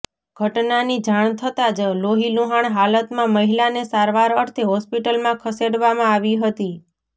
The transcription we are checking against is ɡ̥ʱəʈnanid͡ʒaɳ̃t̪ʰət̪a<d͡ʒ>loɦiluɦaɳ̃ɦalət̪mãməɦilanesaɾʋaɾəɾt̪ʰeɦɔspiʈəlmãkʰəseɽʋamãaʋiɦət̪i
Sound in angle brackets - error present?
no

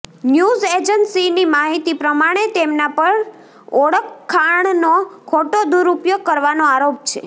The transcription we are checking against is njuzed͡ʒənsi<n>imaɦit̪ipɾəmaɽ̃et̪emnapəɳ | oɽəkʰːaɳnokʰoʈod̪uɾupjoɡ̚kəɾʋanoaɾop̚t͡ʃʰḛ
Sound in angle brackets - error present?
no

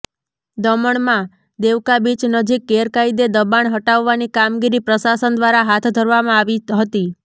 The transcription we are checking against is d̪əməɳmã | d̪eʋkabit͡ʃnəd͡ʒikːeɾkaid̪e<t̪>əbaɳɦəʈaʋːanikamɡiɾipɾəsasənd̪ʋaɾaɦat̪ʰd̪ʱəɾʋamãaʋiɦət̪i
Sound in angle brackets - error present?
yes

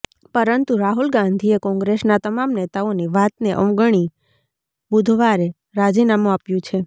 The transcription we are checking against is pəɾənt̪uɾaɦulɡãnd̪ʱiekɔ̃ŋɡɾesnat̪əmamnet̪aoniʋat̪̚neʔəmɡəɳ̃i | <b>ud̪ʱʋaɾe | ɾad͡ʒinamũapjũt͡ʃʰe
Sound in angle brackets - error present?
no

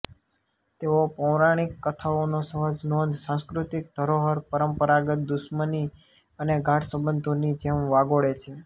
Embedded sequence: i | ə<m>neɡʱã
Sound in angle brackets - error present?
yes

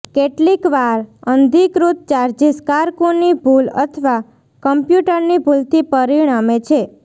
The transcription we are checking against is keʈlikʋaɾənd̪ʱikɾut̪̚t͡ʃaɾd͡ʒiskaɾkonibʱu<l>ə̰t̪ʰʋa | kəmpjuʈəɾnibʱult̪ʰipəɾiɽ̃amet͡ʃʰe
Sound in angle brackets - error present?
no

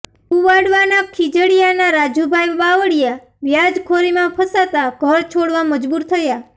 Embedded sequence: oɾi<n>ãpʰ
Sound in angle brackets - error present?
yes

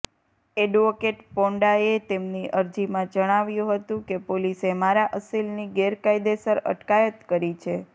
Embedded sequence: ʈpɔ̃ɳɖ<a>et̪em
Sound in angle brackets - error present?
no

